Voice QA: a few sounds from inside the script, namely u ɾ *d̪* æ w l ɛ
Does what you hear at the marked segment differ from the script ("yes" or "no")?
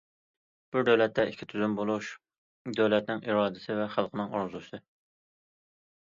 no